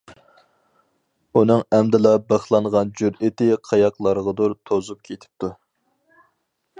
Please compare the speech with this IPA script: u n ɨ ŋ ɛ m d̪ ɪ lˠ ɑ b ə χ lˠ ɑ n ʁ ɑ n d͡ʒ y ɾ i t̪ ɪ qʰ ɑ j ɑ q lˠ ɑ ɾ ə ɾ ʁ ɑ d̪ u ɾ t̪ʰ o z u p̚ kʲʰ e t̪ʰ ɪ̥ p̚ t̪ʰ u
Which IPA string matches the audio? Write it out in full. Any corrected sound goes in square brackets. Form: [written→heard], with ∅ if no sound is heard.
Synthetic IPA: u n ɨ ŋ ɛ m d̪ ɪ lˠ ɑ b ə χ lˠ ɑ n ʁ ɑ n d͡ʒ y ɾ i t̪ ɪ qʰ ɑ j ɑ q lˠ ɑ ɾ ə [ɾ→∅] ʁ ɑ d̪ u ɾ t̪ʰ o z u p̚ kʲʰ e t̪ʰ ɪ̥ p̚ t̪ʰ u

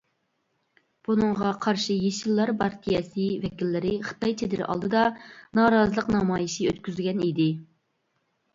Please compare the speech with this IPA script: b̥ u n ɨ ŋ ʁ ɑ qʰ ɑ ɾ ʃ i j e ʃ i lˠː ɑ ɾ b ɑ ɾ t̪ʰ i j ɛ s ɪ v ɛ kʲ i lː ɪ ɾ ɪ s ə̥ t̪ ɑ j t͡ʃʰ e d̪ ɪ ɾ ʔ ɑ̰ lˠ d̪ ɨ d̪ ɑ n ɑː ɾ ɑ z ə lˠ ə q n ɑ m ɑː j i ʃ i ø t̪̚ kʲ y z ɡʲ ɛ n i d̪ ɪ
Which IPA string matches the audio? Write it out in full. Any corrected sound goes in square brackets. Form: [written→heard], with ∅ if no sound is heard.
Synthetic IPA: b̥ u n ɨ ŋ ʁ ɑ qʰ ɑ ɾ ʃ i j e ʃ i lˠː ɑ ɾ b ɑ ɾ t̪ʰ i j ɛ s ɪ v ɛ kʲ i lː ɪ ɾ ɪ [s→χ] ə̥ t̪ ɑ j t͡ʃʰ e d̪ ɪ ɾ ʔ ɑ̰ lˠ d̪ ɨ d̪ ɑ n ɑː ɾ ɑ z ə lˠ ə q n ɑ m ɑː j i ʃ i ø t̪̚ kʲ y z ɡʲ ɛ n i d̪ ɪ

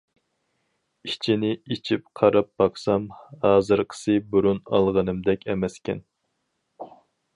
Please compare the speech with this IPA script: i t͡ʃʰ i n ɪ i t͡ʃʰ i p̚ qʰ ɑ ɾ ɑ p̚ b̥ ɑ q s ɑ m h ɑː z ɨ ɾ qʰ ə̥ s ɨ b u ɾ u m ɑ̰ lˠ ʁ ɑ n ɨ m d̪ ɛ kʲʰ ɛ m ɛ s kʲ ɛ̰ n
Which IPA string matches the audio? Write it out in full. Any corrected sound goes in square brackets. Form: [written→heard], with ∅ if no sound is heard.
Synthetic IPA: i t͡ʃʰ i n ɪ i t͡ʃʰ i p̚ qʰ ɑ ɾ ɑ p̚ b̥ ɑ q s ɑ m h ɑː z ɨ ɾ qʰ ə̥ s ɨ b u ɾ u [m→n] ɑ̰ lˠ ʁ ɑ n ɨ m d̪ ɛ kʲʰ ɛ m ɛ s kʲ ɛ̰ n

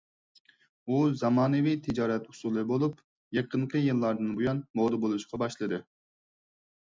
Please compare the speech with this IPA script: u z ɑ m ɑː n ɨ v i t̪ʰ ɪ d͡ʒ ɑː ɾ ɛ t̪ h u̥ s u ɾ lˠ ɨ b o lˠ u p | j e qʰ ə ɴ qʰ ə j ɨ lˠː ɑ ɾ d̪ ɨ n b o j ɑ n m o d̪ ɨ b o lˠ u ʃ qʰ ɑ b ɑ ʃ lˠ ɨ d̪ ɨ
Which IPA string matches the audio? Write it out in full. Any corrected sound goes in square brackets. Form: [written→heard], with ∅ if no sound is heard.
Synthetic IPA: u z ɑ m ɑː n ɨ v i t̪ʰ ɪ d͡ʒ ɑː ɾ ɛ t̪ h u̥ s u [ɾ→∅] lˠ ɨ b o lˠ u p | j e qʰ ə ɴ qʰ ə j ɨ lˠː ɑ ɾ d̪ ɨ n b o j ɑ n m o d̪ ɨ b o lˠ u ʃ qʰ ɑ b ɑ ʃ lˠ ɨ d̪ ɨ

